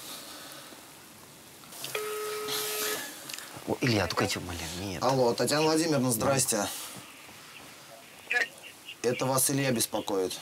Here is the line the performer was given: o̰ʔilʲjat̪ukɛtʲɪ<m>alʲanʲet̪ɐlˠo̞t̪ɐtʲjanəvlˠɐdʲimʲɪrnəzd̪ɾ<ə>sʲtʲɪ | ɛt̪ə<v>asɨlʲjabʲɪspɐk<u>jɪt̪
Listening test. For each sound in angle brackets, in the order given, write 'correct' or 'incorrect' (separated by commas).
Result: correct, incorrect, correct, incorrect